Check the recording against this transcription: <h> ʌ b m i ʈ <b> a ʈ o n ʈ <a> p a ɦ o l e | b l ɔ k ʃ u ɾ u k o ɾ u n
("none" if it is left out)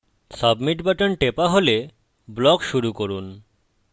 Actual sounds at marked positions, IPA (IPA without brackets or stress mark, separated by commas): s, b, e